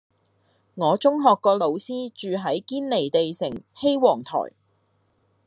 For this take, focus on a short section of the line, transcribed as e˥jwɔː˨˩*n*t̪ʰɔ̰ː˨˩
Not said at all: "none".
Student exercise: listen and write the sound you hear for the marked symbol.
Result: ŋ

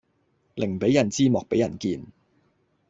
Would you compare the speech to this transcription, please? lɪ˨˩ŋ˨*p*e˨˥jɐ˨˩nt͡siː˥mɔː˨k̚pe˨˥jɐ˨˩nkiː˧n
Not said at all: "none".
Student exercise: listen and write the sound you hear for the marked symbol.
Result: p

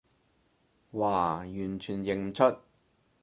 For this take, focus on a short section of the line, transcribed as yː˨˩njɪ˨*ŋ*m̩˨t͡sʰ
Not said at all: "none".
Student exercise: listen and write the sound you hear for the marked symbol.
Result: ŋ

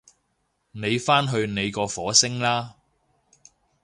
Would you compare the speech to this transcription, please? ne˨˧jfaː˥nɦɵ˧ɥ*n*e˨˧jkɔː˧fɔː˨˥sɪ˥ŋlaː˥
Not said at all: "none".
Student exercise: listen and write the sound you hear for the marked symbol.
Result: n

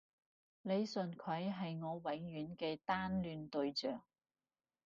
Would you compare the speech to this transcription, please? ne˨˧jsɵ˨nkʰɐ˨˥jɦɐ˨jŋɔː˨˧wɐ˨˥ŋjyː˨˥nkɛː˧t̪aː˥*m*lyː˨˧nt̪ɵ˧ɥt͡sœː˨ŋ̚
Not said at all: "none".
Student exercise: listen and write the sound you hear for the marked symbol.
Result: n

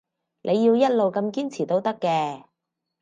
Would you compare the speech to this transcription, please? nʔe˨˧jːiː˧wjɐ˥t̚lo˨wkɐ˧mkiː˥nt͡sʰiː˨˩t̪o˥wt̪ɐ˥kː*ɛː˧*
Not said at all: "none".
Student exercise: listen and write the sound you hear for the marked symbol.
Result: ɛː˧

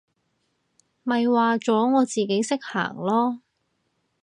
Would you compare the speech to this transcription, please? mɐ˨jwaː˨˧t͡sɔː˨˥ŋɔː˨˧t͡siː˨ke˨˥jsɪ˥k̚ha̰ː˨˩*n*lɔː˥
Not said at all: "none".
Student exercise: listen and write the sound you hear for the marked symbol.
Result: ŋ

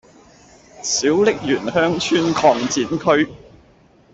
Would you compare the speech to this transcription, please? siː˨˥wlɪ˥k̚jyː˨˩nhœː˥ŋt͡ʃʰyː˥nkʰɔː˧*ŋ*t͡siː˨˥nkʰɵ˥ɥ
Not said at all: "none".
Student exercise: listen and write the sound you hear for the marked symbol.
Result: ŋ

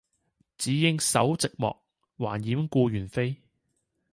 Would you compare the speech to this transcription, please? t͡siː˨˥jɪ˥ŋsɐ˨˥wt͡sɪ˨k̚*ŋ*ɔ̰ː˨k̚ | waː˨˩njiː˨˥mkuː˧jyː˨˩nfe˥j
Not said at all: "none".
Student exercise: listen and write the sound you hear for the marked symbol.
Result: m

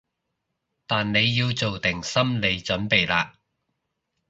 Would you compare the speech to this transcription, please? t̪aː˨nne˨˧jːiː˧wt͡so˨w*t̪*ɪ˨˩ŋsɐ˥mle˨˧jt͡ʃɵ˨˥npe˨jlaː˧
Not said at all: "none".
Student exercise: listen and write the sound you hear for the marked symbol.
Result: t̪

